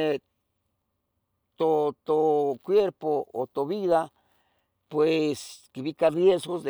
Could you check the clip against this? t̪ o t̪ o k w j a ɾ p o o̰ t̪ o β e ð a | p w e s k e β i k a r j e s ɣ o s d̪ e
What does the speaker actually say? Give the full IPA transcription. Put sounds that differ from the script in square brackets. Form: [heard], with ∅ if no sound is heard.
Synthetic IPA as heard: t̪ o t̪ o k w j [e] ɾ p o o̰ t̪ o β [i] ð a | p w e s k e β i k a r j e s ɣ o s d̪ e